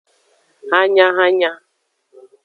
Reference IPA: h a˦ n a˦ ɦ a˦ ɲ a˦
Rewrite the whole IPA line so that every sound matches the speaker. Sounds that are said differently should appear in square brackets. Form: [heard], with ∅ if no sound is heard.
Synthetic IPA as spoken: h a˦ [ɲ] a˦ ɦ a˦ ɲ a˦